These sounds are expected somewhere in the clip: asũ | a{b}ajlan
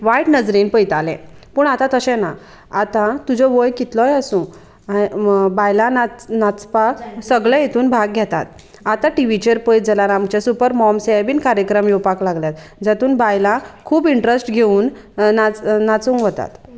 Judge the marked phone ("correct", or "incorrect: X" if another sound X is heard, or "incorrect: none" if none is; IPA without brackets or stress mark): correct